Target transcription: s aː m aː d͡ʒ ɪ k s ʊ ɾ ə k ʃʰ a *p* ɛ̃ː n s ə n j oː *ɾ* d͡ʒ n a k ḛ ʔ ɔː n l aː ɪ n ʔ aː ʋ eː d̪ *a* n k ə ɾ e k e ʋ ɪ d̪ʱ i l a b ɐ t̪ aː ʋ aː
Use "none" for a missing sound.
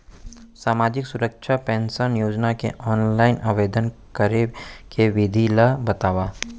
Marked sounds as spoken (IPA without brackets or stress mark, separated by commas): p, none, ə